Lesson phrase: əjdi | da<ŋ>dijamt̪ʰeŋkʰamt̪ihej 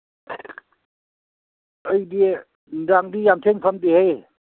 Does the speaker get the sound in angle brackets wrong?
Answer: no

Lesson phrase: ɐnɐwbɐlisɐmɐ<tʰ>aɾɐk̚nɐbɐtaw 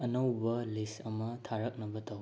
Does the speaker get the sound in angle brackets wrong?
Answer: no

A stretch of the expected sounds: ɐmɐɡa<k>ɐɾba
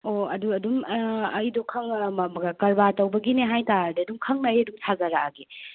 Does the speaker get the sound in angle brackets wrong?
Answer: no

